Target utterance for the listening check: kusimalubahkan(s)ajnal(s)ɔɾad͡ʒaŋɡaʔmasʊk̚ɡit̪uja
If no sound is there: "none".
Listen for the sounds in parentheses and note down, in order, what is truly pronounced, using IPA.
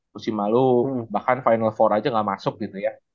f, f

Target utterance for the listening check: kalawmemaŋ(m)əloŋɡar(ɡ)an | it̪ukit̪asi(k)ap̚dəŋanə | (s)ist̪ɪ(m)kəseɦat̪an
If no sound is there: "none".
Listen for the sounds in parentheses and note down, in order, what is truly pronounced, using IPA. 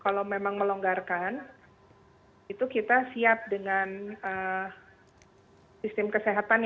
m, k, none, s, m

